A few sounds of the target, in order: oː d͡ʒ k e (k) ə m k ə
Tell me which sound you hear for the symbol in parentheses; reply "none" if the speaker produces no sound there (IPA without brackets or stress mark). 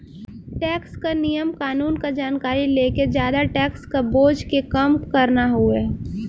k